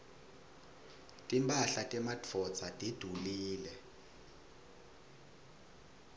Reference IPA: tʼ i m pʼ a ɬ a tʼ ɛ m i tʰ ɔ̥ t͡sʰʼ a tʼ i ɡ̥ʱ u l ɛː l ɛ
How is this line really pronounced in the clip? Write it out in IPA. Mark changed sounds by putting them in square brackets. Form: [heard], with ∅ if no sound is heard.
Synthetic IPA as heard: tʼ i m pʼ a ɬ a tʼ ɛ m [a] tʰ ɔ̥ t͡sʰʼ a tʼ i [d̥ʱ] u l [iː] l ɛ